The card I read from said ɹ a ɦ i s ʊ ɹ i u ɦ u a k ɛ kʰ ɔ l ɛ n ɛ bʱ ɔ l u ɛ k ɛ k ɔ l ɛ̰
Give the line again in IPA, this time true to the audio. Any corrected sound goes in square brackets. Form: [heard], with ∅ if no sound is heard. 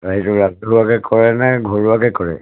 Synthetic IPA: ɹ a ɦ i [t] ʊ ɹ [a] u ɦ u a k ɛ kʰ ɔ [ɹ] ɛ n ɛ [ɡʱ] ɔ [ɹ] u [a] k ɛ k ɔ [ɹ] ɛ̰